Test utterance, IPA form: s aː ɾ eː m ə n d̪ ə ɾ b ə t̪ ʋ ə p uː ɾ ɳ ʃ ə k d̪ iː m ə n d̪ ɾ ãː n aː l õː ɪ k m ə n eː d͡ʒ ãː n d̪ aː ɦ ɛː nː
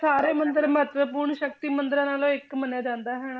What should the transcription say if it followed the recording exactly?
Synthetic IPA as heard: s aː ɾ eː m ə n d̪ ə ɾ m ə t̪ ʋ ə p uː ɾ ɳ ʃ ə k t̪ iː m ə n d̪ ɾ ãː n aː l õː ɪ k m ə n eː d͡ʒ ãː n d̪ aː ɦ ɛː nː